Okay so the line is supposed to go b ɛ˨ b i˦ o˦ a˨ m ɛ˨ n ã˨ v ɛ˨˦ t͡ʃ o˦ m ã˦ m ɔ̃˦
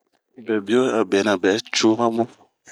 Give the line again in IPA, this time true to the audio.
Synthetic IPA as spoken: b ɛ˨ b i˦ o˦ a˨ b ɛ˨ n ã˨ b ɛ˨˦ t͡ʃ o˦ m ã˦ m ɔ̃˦

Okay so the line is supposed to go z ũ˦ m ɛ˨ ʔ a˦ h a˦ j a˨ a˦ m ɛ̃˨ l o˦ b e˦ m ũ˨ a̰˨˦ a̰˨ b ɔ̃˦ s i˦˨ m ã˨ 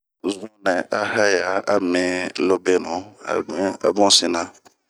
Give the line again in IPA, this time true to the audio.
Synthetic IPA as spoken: z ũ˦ n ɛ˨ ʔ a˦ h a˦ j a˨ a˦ m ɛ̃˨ l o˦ b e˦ n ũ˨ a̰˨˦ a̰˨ b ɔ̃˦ s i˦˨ n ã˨

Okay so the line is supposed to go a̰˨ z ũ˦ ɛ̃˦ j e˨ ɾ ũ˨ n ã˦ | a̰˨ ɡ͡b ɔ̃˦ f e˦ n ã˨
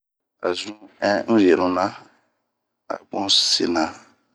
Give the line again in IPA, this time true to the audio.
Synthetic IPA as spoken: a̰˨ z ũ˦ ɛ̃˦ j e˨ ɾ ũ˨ n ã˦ | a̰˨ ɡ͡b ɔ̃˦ s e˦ n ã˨

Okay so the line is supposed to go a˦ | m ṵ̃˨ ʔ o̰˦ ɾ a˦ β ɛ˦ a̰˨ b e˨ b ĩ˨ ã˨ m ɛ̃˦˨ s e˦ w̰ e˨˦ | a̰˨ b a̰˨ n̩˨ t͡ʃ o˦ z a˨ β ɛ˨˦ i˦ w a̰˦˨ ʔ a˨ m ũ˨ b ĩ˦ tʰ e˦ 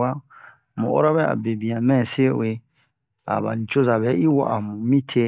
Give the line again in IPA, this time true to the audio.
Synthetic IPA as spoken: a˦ | m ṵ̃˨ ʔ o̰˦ ɾ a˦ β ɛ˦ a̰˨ b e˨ b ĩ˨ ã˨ m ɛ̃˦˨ s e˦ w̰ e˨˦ | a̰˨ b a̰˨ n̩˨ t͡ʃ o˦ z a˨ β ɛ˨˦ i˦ w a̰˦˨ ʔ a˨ m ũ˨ m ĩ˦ tʰ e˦

